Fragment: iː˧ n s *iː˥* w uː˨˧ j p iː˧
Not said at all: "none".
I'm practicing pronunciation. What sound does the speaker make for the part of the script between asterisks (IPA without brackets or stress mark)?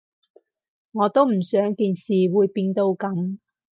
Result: iː˨